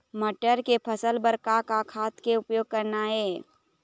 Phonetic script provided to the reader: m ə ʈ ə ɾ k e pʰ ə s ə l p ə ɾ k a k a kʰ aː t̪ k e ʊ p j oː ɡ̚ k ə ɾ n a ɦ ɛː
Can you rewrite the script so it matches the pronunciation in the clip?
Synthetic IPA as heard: m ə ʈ ə ɾ k e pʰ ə s ə l b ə ɾ k a k a kʰ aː t̪ k e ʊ p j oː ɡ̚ k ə ɾ n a ɦ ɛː